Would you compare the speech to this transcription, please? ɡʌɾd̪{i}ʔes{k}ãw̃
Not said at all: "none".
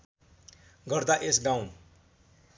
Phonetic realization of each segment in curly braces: a, ɡ

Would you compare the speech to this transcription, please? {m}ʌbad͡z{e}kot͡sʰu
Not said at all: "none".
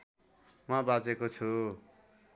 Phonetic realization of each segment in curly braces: m, e

